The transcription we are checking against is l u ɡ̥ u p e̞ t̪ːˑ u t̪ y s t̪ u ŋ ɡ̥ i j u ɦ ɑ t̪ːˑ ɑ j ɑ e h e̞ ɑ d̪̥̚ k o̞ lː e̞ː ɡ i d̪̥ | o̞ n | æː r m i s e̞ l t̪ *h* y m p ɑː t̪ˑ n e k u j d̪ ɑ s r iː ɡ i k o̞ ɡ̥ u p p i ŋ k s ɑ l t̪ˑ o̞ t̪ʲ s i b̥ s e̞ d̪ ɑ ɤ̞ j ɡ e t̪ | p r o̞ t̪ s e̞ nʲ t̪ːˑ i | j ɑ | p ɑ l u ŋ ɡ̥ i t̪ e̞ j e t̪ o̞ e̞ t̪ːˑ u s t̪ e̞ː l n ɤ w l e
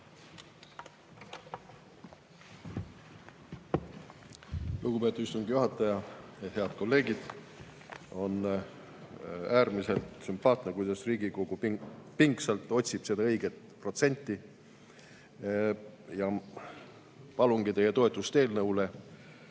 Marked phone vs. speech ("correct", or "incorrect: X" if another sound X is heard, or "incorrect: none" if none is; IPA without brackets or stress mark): incorrect: s